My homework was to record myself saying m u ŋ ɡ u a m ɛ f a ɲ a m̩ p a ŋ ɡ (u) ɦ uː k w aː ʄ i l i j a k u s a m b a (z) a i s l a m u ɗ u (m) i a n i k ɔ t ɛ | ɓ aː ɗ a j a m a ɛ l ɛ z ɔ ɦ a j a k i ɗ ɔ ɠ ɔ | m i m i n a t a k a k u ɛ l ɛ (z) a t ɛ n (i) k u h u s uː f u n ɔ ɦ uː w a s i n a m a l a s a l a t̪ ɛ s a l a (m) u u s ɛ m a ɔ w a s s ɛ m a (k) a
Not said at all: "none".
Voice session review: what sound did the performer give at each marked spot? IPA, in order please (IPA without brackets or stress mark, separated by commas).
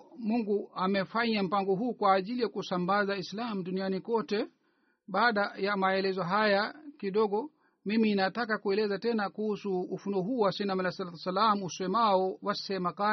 ɔ, z, n, z, a, m, k